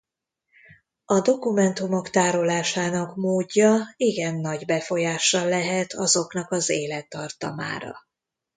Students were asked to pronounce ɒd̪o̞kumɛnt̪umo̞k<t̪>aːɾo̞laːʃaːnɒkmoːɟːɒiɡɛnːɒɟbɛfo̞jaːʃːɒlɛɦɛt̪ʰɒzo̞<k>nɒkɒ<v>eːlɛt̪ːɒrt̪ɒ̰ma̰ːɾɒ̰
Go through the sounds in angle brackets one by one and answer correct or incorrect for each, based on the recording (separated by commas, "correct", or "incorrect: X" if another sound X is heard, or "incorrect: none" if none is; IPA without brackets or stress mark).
correct, correct, incorrect: z